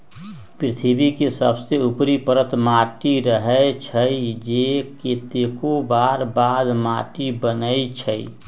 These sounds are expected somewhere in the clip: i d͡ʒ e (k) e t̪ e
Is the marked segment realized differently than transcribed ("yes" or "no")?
no